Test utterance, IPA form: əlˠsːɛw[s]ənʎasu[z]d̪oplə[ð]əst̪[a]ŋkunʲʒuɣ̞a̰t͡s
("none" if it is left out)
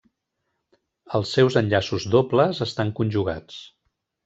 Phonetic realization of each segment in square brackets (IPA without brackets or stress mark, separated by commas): z, z, z, a